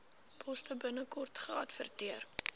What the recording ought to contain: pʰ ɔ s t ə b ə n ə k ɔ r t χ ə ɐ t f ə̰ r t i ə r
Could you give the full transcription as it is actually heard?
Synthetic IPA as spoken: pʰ ɔ s t ə b ə n ə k ɔ r t χ ə ɐ t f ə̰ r t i ə r